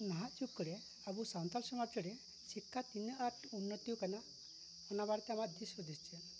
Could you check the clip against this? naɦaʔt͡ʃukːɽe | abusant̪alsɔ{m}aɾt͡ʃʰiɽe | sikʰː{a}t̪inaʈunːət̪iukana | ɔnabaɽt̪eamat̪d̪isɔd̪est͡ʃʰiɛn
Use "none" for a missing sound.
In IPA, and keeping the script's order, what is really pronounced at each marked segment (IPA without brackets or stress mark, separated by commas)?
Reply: m, a